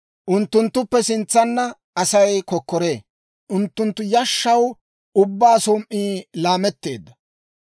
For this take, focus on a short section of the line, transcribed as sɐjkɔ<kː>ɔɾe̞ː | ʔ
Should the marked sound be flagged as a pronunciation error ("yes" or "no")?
no